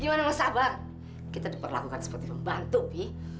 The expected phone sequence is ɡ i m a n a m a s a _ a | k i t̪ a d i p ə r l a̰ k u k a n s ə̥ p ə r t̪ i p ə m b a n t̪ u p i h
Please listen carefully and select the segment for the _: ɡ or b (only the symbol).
b